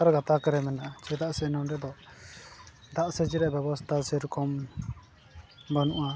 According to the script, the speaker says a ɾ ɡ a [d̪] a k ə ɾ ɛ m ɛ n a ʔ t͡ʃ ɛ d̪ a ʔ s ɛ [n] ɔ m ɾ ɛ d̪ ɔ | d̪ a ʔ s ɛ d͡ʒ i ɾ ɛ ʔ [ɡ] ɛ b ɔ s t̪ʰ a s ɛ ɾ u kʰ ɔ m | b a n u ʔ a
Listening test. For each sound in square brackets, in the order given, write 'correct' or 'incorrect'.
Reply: incorrect: t̪, correct, incorrect: b

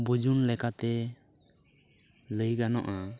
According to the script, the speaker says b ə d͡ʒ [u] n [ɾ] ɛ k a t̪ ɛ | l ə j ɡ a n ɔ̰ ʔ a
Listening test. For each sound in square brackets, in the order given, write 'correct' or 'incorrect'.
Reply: correct, incorrect: l

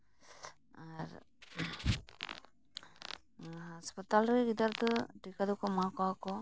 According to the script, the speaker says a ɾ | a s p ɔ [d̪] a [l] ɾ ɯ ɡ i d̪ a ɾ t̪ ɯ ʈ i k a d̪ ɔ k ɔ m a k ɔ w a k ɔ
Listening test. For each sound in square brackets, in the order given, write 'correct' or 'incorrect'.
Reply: incorrect: t̪, correct

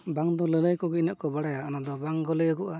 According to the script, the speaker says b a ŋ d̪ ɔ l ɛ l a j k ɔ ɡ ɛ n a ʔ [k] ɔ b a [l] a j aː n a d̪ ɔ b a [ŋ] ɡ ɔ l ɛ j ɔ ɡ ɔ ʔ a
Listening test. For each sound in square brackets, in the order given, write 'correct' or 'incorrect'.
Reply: correct, incorrect: ɽ, correct

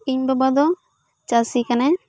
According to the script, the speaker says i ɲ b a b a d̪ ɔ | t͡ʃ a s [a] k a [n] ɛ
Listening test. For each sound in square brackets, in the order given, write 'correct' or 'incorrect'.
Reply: incorrect: i, correct

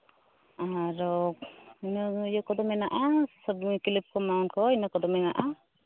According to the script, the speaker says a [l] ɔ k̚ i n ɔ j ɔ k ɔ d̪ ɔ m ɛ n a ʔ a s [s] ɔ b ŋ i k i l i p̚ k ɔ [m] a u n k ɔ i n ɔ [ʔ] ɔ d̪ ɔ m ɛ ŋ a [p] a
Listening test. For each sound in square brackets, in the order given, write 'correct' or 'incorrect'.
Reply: incorrect: ɾ, correct, correct, incorrect: k, incorrect: ʔ

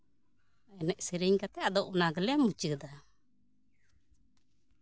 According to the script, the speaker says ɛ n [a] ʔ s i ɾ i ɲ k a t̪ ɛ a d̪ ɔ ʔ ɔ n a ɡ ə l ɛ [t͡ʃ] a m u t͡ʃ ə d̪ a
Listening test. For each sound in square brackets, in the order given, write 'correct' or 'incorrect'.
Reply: incorrect: ɛ, incorrect: none

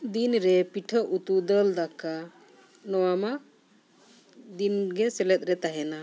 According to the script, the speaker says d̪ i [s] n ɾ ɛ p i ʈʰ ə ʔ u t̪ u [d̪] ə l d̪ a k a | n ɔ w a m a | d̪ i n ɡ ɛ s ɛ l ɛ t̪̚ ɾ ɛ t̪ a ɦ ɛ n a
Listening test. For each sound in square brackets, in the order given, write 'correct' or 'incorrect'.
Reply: incorrect: none, correct

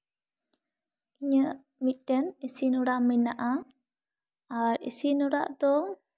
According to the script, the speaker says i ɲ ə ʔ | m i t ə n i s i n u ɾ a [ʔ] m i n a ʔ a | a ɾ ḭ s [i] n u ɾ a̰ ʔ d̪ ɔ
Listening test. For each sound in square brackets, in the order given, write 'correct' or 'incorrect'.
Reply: correct, correct

